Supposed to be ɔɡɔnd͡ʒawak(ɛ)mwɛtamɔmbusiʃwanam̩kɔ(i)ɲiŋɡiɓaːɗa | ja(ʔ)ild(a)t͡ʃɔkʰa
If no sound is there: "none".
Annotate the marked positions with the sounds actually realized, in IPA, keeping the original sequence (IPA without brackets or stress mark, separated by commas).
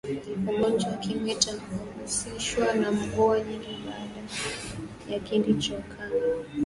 i, a, k, i